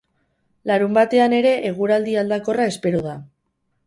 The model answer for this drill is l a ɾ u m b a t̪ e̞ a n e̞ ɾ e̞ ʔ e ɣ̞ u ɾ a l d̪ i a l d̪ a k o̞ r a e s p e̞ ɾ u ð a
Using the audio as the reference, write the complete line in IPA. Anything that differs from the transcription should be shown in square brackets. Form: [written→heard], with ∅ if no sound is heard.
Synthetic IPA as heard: l a ɾ u m b a t̪ e̞ a n e̞ ɾ e̞ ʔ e ɣ̞ u ɾ a l d̪ i a l d̪ a k o̞ r a e s p e̞ ɾ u ð a